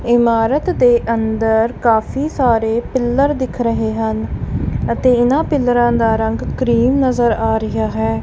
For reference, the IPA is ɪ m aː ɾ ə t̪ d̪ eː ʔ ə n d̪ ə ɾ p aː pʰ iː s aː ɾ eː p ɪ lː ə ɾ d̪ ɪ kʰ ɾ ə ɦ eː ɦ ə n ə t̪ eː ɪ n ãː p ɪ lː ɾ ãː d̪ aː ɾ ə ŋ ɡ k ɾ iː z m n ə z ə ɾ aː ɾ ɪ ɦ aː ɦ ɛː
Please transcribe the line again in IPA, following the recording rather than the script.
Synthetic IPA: ɪ m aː ɾ ə t̪ d̪ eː ʔ ə n d̪ ə ɾ k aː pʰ iː s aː ɾ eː p ɪ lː ə ɾ d̪ ɪ kʰ ɾ ə ɦ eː ɦ ə n ə t̪ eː ɪ n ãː p ɪ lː ɾ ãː d̪ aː ɾ ə ŋ ɡ k ɾ iː m n ə z ə ɾ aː ɾ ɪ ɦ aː ɦ ɛː